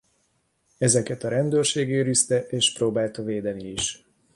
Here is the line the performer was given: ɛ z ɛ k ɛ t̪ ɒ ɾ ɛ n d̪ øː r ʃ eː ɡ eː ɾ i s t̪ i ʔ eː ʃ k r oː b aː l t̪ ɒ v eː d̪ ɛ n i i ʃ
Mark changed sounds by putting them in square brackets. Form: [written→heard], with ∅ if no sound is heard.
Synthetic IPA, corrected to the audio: ɛ z ɛ k ɛ t̪ ɒ ɾ ɛ n d̪ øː r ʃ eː ɡ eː ɾ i s t̪ [i→ɛ] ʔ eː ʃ [k→p] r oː b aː l t̪ ɒ v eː d̪ ɛ n i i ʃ